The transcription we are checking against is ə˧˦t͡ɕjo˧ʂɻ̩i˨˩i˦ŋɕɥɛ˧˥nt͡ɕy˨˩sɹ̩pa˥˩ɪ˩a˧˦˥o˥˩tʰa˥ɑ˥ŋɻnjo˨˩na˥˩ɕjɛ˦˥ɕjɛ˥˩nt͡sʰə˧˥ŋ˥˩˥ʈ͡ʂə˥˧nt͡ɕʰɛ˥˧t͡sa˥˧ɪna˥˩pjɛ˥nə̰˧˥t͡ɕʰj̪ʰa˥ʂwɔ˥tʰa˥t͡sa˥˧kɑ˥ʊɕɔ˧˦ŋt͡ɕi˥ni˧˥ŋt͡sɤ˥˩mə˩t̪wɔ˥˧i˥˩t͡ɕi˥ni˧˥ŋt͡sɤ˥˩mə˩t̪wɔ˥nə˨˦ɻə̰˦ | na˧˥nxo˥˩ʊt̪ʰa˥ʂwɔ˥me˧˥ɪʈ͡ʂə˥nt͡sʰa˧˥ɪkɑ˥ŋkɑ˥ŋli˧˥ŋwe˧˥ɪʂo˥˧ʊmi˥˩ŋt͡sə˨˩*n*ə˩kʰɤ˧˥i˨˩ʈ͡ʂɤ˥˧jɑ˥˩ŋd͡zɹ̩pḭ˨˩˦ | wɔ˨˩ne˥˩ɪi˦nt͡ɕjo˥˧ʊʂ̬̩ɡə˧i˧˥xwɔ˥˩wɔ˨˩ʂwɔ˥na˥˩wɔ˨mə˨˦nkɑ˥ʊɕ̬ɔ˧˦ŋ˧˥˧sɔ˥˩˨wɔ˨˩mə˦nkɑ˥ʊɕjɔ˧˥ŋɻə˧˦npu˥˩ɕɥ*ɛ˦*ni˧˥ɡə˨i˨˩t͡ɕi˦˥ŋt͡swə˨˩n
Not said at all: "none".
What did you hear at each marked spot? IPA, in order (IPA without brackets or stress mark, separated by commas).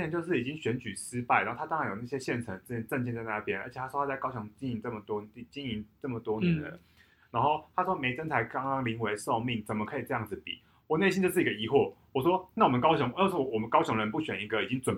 m, ɛ˨˩